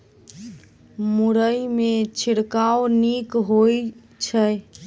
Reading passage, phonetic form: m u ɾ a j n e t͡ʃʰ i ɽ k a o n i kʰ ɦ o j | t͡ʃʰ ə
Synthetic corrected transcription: m u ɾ ə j m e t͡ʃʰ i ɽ k a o n i k ɦ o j | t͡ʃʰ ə